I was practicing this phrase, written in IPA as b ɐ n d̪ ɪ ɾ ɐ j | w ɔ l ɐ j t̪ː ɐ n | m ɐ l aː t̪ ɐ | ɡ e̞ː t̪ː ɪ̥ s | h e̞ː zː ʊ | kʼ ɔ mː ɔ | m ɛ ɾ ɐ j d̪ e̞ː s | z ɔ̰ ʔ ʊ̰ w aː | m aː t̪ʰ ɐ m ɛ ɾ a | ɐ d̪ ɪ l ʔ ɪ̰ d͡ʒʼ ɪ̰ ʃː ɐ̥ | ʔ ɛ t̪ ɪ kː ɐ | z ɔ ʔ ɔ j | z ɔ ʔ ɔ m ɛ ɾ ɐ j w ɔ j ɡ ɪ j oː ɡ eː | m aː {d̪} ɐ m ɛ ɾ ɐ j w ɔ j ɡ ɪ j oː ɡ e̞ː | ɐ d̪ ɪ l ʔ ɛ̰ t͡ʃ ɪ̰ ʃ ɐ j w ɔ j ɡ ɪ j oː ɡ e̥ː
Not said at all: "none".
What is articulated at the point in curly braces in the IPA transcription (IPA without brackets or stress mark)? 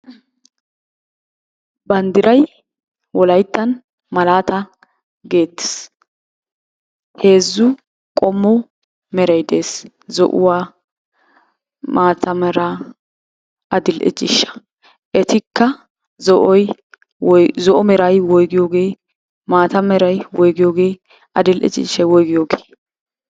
t̪